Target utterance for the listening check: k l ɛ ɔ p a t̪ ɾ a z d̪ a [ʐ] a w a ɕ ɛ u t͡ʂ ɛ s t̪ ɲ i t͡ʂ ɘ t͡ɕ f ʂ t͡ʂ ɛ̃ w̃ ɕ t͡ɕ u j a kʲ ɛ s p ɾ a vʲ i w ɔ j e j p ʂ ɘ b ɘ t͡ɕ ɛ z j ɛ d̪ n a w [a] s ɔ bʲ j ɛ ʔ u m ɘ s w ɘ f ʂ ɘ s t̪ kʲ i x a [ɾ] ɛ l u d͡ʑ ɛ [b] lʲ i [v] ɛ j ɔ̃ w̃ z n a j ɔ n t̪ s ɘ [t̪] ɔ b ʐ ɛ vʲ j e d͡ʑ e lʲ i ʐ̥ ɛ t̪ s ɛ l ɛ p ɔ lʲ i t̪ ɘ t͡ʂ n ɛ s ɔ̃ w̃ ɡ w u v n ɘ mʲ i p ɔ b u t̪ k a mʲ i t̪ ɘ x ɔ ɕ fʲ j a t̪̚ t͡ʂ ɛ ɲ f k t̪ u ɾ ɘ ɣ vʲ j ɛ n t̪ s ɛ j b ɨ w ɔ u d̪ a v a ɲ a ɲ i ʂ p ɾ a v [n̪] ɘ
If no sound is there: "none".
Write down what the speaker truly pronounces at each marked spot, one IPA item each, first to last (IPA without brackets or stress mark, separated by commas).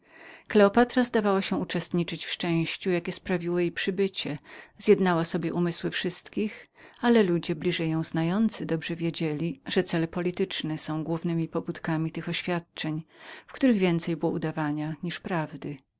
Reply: v, a, l, b, ʐ, d̪, d̪